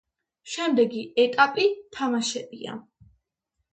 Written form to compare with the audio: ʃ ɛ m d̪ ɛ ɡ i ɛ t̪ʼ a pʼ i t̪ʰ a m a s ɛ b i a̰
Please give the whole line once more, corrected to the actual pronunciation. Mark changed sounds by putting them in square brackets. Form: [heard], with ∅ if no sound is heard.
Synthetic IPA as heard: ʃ ɛ m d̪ ɛ ɡ i ɛ t̪ʼ a pʼ i t̪ʰ a m a [ʃ] ɛ b i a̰